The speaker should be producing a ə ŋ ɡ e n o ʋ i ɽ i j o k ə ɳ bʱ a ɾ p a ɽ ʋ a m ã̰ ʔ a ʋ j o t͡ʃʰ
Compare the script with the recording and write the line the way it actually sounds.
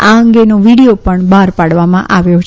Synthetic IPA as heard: a ə ŋ ɡ e n o ʋ i ɽ i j o p ə ɳ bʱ a ɾ p a ɽ ʋ a m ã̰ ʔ a ʋ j o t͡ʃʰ